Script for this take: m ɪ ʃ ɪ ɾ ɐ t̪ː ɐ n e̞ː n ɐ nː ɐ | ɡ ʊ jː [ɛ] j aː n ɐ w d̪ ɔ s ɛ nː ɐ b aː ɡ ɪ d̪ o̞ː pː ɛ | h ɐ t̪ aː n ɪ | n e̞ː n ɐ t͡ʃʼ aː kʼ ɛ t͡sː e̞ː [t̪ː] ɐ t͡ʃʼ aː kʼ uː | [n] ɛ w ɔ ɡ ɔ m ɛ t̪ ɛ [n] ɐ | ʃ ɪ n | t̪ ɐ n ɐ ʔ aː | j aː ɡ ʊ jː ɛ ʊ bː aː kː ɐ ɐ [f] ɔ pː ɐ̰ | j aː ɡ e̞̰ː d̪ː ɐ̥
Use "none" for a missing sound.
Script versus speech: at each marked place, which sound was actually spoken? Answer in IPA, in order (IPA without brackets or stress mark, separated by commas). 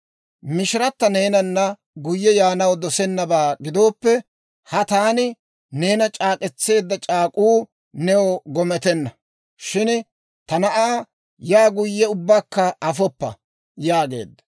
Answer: ɛ, d̪ː, n, nː, f